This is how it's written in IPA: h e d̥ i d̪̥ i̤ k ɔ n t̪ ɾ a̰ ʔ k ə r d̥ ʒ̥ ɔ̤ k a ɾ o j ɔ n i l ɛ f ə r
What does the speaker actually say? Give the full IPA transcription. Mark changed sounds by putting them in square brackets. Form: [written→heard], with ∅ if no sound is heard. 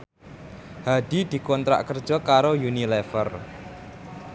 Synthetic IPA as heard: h [e→a] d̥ i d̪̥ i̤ k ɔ n t̪ ɾ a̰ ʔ k ə r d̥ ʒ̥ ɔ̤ k a ɾ o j [ɔ→u] n i l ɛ f ə r